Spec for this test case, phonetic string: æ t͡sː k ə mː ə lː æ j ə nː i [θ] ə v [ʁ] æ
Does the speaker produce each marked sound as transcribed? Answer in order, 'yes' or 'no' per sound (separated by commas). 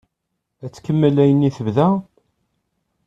yes, no